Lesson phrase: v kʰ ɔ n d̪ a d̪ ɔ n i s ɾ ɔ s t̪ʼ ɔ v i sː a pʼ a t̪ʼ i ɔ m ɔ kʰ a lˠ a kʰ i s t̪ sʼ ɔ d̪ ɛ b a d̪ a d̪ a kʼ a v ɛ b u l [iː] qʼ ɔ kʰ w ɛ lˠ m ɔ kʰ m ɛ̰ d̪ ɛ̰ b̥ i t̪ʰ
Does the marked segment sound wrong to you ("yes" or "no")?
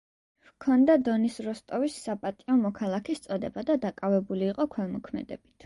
no